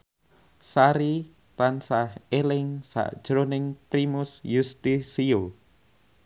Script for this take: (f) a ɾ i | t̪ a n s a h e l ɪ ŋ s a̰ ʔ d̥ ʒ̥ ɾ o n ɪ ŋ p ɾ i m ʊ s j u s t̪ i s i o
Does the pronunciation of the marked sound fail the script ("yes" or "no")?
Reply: yes